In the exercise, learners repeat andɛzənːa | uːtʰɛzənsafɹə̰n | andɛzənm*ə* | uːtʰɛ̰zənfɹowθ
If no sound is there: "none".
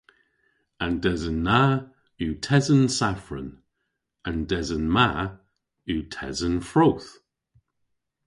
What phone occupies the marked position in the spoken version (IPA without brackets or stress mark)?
a